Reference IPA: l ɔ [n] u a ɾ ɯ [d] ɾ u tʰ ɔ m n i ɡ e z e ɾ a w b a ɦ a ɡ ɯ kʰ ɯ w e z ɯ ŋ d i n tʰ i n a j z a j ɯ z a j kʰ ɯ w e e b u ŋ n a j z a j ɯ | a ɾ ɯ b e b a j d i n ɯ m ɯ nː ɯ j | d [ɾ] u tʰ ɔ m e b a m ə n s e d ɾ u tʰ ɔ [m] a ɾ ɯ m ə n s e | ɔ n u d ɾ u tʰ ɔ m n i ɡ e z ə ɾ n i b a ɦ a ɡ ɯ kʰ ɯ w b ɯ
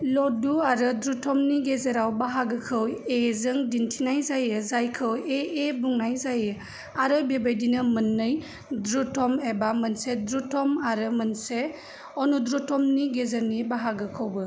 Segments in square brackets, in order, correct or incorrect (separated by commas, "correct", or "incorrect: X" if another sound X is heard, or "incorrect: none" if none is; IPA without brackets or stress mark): incorrect: d, correct, correct, correct